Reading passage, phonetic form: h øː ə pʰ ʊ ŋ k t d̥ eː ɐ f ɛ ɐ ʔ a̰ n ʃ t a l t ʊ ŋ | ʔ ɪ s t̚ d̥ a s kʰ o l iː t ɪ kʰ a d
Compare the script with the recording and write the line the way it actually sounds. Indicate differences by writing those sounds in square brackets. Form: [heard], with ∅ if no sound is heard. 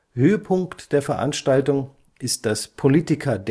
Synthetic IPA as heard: h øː ə pʰ ʊ ŋ k t d̥ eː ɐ f ɛ ɐ ʔ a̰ n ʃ t a l t ʊ ŋ | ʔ ɪ s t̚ d̥ a s [pʰ] o l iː t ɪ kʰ [ɐ] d